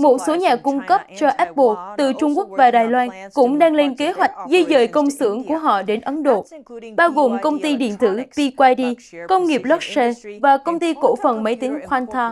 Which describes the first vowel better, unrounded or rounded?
rounded